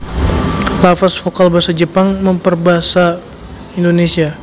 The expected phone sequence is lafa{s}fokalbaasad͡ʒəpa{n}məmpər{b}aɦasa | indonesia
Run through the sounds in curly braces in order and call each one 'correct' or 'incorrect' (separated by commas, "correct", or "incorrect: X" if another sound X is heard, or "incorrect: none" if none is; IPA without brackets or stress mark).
correct, incorrect: ŋ, correct